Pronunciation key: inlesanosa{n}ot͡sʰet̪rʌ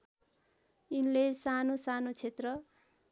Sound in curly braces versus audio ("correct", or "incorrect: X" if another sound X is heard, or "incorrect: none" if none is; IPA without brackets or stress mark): correct